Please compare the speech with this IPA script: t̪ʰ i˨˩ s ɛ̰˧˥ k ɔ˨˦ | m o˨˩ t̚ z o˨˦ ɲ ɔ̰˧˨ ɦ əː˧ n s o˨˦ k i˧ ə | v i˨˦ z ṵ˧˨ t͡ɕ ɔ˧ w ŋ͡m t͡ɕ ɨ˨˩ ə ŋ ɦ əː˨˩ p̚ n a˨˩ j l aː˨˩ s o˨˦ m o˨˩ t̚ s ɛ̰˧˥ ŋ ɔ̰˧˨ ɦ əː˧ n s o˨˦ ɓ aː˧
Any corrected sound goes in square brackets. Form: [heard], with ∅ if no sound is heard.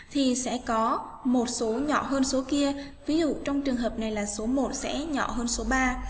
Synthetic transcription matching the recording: t̪ʰ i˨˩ s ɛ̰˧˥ k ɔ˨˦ | m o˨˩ t̚ [s] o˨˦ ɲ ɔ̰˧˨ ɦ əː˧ n s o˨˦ k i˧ ə | v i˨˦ z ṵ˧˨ t͡ɕ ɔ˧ w ŋ͡m t͡ɕ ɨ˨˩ ə ŋ ɦ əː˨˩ p̚ n a˨˩ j l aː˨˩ s o˨˦ m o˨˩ t̚ s ɛ̰˧˥ [ɲ] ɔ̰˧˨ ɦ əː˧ n s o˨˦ ɓ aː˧